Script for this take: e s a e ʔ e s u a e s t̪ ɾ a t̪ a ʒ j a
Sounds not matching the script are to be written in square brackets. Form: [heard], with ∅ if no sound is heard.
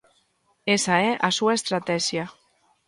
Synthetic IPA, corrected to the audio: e s a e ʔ [a] s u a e s t̪ ɾ a t̪ [ɛ] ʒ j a